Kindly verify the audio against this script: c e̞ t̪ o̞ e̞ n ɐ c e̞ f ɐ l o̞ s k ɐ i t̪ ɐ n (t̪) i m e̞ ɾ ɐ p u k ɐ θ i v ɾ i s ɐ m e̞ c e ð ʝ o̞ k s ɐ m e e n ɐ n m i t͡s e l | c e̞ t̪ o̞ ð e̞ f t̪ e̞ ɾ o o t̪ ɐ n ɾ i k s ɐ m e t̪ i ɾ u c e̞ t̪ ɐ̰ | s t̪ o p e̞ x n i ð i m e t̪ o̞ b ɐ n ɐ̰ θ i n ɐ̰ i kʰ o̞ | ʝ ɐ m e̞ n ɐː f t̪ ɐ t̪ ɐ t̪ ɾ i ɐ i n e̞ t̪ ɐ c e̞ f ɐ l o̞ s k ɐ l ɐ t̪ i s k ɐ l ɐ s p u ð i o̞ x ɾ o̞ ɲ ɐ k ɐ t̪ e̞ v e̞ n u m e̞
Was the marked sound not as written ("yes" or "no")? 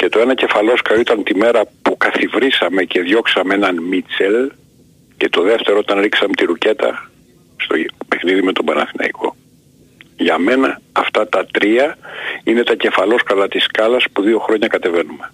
no